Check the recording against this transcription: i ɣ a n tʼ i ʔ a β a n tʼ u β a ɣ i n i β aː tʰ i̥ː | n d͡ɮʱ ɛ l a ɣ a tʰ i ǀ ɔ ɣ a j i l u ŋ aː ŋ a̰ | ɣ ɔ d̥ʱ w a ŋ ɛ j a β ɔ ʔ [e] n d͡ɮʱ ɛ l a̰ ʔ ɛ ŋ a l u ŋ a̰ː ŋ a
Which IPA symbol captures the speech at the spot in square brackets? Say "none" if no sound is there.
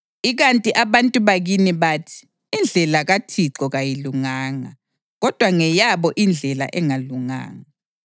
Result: i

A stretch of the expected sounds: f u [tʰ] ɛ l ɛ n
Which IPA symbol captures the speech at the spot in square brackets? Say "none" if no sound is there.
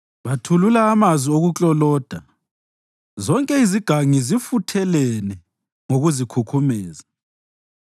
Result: tʰ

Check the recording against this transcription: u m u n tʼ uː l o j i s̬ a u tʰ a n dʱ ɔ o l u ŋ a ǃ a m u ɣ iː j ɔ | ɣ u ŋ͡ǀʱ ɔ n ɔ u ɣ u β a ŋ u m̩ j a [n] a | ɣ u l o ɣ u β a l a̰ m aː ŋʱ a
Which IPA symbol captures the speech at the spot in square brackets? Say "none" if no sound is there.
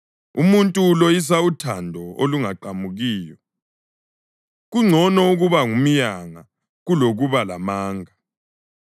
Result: ŋ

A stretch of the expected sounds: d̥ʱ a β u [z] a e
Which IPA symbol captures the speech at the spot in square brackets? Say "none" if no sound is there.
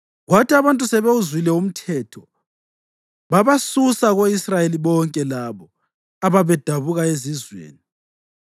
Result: ɣ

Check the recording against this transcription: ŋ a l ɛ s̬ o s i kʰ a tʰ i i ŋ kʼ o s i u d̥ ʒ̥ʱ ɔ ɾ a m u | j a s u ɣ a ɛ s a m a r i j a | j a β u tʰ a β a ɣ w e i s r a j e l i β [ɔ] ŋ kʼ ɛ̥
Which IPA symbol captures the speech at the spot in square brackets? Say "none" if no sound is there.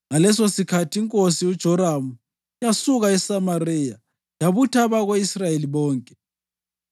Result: ɔː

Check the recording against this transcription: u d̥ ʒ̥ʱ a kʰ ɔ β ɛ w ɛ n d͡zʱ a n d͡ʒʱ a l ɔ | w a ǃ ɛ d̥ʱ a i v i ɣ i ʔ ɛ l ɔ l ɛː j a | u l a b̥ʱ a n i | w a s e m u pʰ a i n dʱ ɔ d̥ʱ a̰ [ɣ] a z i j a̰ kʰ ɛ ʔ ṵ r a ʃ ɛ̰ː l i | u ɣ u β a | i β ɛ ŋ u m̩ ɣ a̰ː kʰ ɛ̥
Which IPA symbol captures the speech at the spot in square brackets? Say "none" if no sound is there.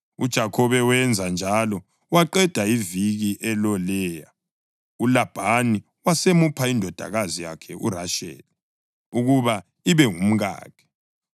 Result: ɣ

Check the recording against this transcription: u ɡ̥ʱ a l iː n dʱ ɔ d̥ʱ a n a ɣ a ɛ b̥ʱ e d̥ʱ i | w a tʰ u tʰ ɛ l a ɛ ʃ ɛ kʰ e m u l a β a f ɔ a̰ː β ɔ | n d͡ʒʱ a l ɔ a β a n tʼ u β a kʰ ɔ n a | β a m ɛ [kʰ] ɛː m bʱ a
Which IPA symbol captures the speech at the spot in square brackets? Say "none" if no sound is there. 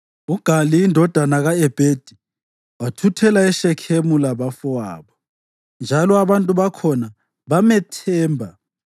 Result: tʰ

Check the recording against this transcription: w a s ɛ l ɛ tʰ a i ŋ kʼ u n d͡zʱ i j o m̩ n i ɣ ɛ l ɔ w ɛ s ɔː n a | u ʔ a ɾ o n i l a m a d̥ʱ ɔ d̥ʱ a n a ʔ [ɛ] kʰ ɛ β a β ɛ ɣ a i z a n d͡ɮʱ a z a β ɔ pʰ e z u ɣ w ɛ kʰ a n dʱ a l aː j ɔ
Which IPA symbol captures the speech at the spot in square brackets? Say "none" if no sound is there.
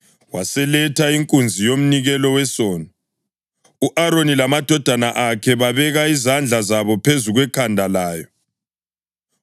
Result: a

